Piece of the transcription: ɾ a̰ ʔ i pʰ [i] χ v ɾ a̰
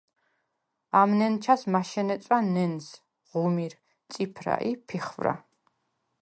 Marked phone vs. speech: correct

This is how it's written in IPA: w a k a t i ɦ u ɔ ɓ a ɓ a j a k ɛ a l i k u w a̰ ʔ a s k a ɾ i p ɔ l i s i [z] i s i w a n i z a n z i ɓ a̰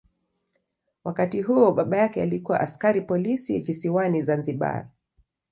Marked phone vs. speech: incorrect: v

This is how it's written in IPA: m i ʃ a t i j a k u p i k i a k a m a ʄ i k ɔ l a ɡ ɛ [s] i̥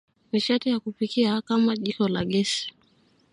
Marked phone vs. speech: correct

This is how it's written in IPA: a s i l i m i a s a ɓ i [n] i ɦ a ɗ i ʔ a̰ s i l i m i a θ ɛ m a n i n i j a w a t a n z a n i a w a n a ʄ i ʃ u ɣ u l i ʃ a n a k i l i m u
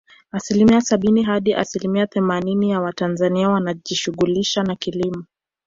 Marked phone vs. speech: correct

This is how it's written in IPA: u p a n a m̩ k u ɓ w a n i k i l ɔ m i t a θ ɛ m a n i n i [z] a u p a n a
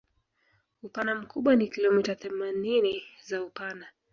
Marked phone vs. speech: correct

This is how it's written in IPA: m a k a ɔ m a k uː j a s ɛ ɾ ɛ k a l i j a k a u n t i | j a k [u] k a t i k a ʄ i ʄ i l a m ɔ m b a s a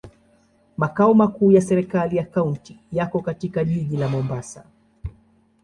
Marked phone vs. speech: incorrect: ɔ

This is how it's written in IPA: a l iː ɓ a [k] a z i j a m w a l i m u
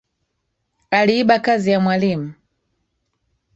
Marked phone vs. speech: correct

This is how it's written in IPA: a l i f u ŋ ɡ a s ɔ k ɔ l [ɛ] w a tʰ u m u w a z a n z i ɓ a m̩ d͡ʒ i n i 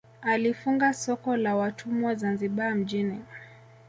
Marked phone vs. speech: incorrect: a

